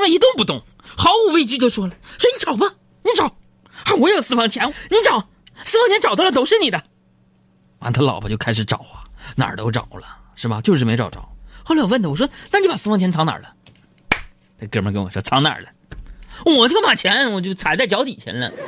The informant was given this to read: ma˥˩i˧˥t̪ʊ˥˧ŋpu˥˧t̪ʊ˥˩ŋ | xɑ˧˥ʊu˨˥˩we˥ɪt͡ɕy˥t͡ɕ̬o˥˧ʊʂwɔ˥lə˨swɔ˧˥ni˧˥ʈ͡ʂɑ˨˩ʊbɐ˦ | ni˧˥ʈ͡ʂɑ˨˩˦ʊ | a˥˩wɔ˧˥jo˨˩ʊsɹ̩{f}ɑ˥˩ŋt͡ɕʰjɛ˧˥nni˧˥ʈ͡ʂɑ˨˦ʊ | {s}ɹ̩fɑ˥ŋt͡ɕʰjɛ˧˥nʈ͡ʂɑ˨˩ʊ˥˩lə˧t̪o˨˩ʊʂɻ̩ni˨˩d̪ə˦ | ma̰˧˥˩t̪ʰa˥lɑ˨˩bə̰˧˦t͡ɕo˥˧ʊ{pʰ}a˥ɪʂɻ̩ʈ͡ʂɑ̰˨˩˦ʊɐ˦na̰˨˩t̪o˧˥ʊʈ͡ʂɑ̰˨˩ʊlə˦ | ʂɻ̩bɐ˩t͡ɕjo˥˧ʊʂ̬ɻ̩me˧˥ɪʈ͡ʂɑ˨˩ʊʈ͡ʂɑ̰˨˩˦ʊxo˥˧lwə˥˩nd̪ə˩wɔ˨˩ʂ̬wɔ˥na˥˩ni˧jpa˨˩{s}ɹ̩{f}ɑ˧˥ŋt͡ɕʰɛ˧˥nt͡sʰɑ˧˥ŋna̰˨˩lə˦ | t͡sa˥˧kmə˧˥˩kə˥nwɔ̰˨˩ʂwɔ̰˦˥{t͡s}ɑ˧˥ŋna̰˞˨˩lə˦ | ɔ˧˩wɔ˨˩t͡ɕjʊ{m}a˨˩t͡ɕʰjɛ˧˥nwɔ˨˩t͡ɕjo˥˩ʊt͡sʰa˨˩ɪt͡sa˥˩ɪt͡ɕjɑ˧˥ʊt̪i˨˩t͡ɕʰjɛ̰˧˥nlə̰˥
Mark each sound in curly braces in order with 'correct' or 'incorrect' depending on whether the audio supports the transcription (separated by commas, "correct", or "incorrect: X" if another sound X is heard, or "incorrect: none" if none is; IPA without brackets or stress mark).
correct, correct, incorrect: kʰ, correct, correct, incorrect: t͡sʰ, correct